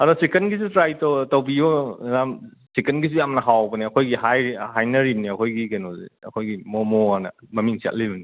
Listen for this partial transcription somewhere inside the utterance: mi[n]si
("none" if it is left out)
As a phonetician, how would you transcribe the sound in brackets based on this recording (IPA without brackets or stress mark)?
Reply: ŋ